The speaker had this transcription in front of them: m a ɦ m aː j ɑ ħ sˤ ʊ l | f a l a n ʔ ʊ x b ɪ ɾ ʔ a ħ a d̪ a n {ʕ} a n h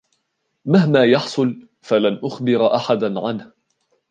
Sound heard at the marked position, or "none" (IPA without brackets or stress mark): ʕ